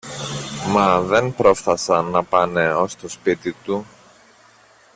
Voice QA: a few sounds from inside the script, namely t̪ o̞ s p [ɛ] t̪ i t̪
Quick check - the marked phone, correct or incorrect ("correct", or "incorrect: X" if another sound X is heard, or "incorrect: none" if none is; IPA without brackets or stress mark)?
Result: incorrect: i